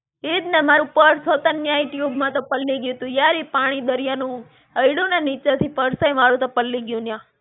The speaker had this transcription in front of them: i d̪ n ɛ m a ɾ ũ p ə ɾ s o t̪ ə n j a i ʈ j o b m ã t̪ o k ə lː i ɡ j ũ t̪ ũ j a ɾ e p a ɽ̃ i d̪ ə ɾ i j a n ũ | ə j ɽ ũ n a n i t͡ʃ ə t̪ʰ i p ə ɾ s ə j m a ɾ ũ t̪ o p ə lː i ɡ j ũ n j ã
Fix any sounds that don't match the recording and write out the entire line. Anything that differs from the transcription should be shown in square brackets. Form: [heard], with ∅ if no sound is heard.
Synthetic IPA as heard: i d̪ n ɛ m a ɾ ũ p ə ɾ s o t̪ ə n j a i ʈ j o b m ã t̪ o [p] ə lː i ɡ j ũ t̪ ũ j a ɾ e p a ɽ̃ i d̪ ə ɾ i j a n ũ | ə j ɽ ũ n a n i t͡ʃ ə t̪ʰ i p ə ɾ s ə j m a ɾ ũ t̪ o p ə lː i ɡ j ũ n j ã